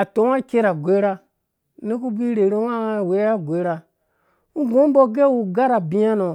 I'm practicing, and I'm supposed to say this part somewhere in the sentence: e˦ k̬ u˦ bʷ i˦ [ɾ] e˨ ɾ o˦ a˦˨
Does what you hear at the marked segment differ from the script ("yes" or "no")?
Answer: no